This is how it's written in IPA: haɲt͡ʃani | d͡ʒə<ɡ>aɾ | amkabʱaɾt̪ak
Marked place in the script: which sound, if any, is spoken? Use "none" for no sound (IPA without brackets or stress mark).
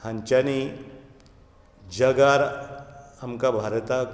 ɡ